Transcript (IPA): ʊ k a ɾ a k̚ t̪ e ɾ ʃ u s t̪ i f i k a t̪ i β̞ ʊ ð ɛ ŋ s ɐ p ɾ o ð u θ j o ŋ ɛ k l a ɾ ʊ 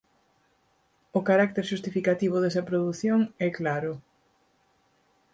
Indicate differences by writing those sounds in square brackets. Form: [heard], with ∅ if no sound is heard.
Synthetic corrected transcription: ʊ k a ɾ a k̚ t̪ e ɾ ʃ u s t̪ i f i k a t̪ i β̞ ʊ ð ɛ [∅] s ɐ p ɾ o ð u θ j o ŋ ɛ k l a ɾ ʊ